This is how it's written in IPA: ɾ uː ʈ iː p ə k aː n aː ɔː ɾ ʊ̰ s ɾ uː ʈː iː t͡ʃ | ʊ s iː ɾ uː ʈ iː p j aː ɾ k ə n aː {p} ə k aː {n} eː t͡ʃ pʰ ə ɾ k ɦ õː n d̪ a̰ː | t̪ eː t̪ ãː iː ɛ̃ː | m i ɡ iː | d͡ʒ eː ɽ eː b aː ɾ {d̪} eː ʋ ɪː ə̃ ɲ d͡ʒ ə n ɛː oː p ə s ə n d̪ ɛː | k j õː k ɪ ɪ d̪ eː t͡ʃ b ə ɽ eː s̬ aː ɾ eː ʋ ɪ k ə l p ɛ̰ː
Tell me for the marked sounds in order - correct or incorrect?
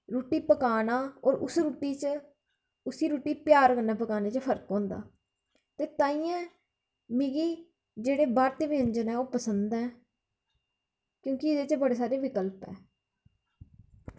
correct, correct, incorrect

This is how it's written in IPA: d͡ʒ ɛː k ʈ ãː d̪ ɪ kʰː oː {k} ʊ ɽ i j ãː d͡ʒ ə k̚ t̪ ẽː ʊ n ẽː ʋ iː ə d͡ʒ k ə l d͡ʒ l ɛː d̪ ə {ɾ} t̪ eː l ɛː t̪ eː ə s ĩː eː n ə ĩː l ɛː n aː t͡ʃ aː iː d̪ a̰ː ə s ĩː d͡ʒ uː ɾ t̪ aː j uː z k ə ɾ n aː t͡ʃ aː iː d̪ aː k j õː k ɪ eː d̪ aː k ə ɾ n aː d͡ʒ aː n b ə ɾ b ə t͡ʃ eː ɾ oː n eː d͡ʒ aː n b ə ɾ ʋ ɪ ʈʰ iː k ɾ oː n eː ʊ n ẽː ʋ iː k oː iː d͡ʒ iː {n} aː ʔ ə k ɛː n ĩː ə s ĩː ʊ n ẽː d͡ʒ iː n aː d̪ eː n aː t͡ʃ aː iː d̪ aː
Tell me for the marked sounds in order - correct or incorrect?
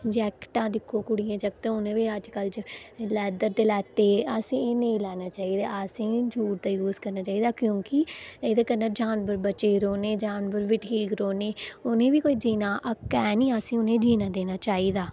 correct, correct, correct

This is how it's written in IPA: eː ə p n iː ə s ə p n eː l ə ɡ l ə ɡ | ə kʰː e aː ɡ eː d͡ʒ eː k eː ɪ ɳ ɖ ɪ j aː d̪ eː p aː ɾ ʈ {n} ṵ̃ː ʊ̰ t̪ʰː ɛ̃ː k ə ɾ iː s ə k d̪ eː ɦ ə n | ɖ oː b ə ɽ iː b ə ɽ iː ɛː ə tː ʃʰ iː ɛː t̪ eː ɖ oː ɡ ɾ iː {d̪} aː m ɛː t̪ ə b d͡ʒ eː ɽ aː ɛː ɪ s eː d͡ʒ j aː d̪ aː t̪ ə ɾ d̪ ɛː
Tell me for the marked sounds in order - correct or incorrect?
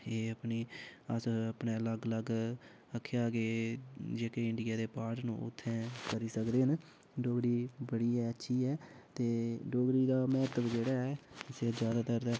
correct, correct

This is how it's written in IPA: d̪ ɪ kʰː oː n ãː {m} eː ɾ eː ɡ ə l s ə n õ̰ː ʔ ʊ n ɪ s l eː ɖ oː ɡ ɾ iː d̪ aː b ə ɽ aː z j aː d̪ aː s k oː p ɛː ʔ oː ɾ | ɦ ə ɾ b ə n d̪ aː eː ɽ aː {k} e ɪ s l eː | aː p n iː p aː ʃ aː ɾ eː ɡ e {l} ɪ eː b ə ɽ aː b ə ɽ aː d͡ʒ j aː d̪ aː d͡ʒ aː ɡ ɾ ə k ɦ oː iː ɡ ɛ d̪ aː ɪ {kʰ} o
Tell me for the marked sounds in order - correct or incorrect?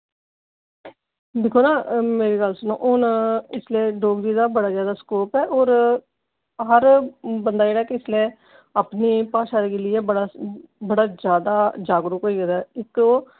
correct, correct, correct, incorrect

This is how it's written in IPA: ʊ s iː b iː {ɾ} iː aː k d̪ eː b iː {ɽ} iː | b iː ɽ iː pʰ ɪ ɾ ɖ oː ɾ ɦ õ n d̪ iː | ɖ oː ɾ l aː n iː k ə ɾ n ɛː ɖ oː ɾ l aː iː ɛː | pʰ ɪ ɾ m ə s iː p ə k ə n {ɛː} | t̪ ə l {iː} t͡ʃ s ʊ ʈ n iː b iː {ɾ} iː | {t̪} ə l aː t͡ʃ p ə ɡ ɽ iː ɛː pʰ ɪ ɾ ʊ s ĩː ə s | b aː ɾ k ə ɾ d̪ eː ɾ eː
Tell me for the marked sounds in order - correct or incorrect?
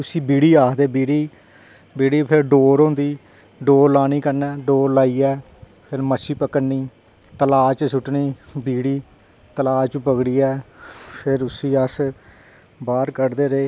incorrect, correct, incorrect, incorrect, incorrect, correct

